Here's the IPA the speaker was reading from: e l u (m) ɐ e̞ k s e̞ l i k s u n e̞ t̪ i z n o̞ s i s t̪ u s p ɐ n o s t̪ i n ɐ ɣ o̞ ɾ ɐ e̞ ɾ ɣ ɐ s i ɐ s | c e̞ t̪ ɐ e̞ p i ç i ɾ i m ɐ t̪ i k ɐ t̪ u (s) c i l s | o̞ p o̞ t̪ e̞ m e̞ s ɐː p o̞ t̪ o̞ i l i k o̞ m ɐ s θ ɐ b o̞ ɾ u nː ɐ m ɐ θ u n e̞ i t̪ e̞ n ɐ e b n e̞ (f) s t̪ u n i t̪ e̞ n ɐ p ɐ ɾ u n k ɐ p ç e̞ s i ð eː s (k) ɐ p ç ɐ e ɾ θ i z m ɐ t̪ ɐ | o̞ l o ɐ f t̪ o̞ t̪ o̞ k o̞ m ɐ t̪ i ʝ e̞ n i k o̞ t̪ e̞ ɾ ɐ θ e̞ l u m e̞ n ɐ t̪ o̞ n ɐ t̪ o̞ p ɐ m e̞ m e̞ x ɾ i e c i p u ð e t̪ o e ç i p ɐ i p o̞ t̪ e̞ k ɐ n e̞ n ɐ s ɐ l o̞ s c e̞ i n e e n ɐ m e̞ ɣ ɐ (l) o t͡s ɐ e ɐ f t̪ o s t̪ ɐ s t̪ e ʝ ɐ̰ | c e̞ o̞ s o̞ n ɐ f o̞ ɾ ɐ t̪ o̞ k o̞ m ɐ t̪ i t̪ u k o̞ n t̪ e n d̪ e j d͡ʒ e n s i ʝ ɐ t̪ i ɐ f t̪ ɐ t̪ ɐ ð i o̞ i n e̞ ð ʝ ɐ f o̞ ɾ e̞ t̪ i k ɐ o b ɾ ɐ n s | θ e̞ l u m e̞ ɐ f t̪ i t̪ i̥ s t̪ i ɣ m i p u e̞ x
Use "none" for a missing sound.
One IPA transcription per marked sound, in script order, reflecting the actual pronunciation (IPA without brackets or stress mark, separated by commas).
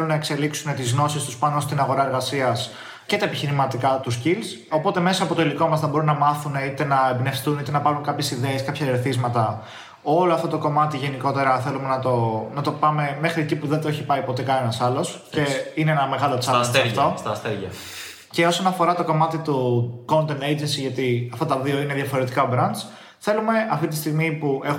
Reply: n, s, f, k, l